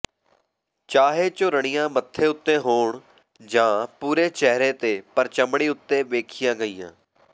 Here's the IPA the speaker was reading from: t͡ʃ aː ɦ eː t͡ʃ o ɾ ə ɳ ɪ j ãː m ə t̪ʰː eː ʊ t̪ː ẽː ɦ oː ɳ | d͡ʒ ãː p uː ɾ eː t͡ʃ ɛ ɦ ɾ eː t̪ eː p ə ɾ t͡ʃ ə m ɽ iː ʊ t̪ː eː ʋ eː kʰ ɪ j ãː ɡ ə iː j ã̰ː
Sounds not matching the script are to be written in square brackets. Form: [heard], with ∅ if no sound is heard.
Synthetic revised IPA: t͡ʃ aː ɦ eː t͡ʃ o ɾ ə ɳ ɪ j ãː m ə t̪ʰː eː ʊ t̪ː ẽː ɦ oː ɳ | d͡ʒ ãː p uː ɾ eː t͡ʃ ɛ ɦ ɾ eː t̪ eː p ə ɾ t͡ʃ ə m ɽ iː ʊ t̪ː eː ʋ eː kʰ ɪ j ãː ɡ ə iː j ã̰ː